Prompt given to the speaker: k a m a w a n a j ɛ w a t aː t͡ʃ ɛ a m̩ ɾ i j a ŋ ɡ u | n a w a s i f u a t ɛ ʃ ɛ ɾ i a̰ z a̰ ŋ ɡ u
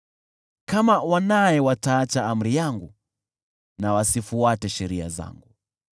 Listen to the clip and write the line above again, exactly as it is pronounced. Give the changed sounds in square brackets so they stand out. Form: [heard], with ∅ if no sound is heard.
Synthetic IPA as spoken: k a m a w a n a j ɛ w a t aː t͡ʃ [a] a m̩ ɾ i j a ŋ ɡ u | n a w a s i f u a t ɛ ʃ ɛ ɾ i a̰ z a̰ ŋ ɡ u

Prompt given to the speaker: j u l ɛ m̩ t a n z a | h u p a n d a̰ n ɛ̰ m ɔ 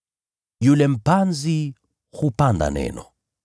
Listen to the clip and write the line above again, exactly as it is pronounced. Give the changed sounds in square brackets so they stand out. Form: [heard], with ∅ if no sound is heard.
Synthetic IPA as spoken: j u l ɛ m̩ [p] a n z [i] | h u p a n d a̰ n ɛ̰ [n] ɔ

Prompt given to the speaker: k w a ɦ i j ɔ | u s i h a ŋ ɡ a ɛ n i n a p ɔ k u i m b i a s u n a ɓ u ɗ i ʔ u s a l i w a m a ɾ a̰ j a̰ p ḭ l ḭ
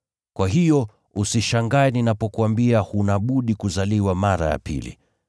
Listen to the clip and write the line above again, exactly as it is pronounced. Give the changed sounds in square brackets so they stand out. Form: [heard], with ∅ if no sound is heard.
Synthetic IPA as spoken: k w a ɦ i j ɔ | u s i [ʃ] a ŋ ɡ a ɛ n i n a p ɔ k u [a] m b i a [h] u n a ɓ u ɗ i [k] u [z] a l i w a m a ɾ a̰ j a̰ p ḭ l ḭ

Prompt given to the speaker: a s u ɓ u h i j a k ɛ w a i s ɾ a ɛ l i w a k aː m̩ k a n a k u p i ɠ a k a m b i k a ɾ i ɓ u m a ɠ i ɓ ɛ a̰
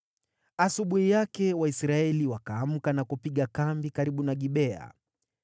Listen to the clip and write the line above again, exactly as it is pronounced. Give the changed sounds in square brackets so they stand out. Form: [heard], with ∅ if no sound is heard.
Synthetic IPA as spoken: a s u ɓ u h i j a k ɛ w a i s ɾ a ɛ l i w a k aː m̩ k a n a k u p i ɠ a k a m b i k a ɾ i ɓ u [n] a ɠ i ɓ ɛ a̰

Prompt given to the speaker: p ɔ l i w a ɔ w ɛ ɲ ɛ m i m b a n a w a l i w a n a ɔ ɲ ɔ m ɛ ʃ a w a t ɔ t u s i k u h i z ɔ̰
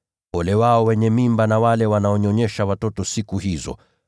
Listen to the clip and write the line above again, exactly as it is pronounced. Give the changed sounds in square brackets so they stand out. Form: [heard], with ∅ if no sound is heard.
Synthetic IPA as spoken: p ɔ l [ɛ] w a ɔ w ɛ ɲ ɛ m i m b a n a w a l [ɛ] w a n a ɔ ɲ ɔ [ɲ] ɛ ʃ a w a t ɔ t [ɔ] s i k u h i z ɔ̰

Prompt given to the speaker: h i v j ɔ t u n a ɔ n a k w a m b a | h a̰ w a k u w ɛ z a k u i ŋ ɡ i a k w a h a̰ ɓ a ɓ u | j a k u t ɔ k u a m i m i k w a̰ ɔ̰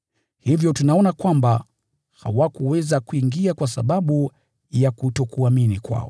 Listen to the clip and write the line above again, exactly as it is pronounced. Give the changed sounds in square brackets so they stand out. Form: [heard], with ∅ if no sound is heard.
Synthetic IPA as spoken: h i v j ɔ t u n a ɔ n a k w a m b a | h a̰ w a k u w ɛ z a k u i ŋ ɡ i a k w a [s] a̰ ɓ a ɓ u | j a k u t ɔ k u a m i [n] i k w a̰ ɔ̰

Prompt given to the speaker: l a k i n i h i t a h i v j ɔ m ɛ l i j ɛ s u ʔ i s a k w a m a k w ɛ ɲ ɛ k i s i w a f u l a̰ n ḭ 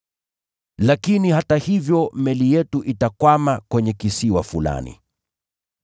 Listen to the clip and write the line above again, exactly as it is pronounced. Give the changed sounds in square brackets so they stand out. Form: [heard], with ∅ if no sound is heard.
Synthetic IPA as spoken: l a k i n i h [a] t a h i v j ɔ m ɛ l i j ɛ [t] u ʔ i [t] a k w a m a k w ɛ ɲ ɛ k i s i w a f u l a̰ n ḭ

